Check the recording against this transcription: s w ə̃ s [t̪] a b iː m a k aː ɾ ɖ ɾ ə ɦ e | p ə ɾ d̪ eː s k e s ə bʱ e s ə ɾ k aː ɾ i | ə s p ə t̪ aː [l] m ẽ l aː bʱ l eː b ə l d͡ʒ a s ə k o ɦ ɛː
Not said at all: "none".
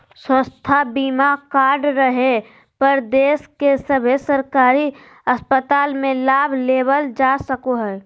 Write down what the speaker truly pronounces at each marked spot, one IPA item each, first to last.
t̪ʰ, l

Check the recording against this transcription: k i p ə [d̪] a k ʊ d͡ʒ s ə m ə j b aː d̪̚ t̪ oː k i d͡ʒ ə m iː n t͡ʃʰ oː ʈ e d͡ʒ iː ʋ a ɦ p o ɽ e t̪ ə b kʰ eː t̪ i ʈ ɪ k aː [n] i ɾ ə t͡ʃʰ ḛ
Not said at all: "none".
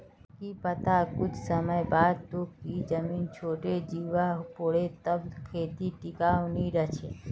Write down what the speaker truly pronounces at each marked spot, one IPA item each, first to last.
t̪, n

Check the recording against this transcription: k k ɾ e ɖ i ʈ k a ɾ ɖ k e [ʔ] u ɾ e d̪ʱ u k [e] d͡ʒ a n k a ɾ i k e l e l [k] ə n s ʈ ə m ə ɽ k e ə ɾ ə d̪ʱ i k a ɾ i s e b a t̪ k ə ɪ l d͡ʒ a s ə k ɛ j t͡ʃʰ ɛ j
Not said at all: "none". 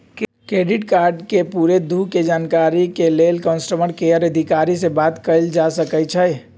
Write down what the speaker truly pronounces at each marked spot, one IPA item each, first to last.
p, e, k

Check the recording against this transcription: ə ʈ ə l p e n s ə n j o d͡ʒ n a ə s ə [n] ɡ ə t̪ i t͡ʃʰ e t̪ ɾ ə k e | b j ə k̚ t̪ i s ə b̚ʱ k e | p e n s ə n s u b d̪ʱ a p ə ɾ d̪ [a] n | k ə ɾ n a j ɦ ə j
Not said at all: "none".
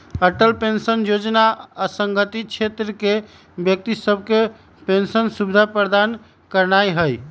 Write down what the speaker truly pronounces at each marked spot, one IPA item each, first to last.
ŋ, a

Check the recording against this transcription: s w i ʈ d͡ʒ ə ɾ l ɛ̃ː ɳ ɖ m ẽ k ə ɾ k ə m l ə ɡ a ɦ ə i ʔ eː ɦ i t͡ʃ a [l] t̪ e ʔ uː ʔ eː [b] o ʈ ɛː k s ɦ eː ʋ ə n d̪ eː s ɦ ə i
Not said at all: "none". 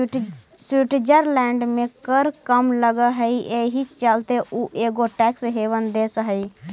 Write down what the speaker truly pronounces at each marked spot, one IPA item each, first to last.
l, ɡ

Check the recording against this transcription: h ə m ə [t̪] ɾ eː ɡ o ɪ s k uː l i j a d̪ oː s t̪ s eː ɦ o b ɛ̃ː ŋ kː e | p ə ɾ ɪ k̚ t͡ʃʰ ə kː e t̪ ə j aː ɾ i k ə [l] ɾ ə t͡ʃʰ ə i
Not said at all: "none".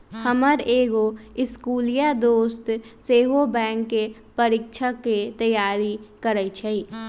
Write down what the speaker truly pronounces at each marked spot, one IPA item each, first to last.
none, none

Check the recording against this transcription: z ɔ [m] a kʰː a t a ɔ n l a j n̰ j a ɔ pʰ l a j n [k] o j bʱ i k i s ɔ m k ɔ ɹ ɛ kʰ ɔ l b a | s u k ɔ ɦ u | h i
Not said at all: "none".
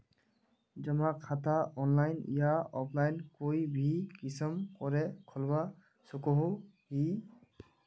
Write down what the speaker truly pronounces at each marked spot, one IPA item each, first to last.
m, k

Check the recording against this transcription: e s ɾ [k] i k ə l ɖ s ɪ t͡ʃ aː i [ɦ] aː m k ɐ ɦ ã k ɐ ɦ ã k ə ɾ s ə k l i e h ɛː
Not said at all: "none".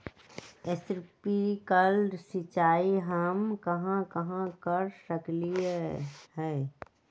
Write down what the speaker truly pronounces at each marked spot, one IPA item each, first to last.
p, ɦ

